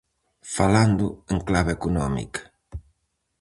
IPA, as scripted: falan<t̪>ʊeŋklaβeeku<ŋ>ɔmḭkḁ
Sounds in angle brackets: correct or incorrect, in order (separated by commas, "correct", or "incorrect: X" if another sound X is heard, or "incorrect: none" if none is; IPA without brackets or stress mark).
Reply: incorrect: d̪, incorrect: n